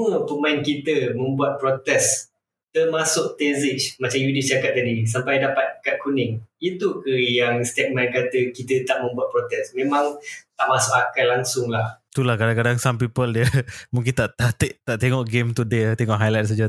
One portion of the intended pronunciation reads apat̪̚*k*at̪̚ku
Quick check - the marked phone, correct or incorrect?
correct